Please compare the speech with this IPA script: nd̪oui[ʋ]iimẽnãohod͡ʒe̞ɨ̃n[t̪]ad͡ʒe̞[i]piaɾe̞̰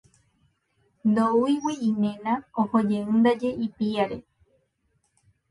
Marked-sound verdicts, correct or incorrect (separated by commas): incorrect, incorrect, correct